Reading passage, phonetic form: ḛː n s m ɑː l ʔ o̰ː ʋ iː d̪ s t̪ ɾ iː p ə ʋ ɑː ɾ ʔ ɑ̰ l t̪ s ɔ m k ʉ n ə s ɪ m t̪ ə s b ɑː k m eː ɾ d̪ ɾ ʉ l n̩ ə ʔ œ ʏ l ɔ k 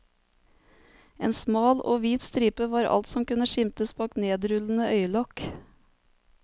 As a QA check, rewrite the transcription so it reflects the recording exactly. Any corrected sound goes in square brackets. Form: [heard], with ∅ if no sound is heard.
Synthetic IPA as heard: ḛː n s m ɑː l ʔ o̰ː ʋ iː [t̪] s t̪ ɾ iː p ə ʋ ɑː ɾ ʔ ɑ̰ l t̪ s ɔ m k ʉ n ə [ʃ] ɪ m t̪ ə s b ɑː k [n] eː [∅] d̪ ɾ ʉ l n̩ ə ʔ œ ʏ l ɔ k